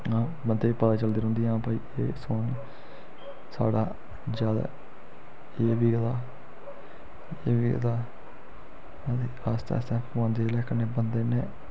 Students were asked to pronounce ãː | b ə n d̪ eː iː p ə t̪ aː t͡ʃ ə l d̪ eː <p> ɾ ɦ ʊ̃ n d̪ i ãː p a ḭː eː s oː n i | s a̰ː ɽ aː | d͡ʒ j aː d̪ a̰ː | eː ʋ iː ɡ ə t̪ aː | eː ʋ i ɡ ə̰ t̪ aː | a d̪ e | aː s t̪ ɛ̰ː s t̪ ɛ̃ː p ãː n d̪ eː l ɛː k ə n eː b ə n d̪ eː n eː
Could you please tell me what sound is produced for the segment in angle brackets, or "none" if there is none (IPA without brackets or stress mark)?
none